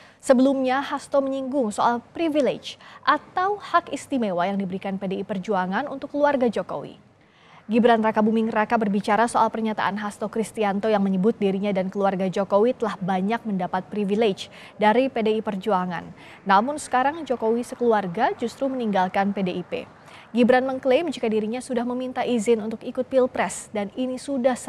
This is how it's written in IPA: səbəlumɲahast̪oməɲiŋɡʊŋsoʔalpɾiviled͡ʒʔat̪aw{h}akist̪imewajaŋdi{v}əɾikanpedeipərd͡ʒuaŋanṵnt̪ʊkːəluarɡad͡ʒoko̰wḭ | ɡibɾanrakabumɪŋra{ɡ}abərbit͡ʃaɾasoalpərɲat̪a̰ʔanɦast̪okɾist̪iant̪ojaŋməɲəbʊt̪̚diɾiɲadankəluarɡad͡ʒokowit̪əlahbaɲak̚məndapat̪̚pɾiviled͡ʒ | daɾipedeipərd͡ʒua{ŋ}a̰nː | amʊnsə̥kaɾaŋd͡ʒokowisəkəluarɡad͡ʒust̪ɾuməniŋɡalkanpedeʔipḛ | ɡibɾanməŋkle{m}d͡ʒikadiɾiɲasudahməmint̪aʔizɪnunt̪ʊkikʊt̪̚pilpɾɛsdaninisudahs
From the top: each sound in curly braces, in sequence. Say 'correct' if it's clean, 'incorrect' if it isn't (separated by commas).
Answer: correct, incorrect, incorrect, correct, correct